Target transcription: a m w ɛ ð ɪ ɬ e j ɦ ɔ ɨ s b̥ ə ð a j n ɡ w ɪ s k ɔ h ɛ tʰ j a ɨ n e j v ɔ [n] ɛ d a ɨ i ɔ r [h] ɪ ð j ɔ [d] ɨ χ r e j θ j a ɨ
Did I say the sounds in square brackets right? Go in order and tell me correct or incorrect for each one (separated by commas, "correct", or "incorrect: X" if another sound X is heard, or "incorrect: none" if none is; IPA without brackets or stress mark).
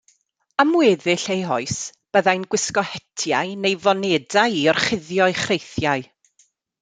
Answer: correct, incorrect: χ, incorrect: none